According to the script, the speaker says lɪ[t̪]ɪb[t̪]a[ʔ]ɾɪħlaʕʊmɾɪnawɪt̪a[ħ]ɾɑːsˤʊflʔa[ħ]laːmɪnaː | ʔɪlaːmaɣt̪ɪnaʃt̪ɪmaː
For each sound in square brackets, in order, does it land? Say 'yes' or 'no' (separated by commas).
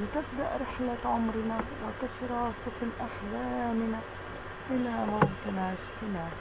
yes, no, yes, no, yes